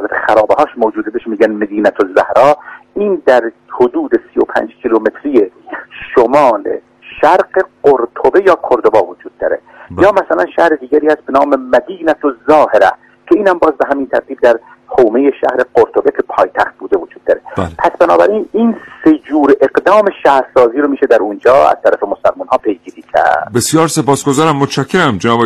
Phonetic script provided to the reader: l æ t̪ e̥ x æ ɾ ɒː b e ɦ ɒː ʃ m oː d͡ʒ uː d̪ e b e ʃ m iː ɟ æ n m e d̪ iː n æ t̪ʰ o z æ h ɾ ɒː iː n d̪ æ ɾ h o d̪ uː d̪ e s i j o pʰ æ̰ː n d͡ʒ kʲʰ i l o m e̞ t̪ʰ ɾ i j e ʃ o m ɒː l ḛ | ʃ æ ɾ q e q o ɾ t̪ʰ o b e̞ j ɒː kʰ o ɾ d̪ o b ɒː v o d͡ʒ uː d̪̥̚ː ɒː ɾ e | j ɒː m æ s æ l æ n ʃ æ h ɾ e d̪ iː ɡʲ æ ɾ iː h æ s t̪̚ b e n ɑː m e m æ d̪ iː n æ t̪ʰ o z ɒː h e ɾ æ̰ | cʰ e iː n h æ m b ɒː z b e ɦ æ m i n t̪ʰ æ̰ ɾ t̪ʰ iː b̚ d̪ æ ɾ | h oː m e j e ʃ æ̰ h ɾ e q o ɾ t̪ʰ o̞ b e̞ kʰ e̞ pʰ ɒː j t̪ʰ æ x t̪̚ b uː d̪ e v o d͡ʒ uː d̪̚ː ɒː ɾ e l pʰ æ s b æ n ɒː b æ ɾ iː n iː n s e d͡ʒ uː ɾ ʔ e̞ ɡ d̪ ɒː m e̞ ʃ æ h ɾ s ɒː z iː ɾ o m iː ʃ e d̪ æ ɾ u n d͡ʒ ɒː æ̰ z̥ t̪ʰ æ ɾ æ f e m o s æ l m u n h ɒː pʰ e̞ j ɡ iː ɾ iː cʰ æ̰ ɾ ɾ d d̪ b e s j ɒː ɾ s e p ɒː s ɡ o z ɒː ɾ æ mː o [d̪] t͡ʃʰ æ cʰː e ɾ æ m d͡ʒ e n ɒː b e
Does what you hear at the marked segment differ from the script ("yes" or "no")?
yes